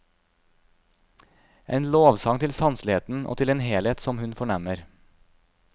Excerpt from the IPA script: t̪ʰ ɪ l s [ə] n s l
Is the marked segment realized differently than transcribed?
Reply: yes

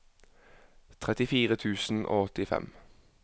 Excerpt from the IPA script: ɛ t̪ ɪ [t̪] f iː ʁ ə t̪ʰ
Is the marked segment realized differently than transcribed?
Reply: yes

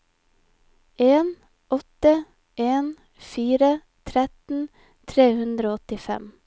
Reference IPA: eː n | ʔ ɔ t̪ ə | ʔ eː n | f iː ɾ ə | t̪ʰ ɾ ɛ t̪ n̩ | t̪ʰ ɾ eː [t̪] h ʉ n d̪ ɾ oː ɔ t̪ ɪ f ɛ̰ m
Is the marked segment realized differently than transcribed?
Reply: yes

